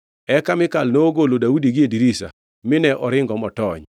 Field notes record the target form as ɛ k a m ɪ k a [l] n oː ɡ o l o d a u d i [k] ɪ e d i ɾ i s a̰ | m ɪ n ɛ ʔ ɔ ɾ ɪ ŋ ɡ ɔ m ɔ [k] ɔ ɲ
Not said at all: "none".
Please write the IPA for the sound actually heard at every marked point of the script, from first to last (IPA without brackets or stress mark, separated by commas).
l, ɡ, t